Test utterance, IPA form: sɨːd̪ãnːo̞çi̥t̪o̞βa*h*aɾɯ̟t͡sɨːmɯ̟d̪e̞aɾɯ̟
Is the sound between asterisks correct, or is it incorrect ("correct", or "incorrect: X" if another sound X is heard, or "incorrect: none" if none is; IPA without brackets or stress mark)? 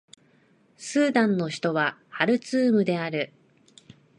correct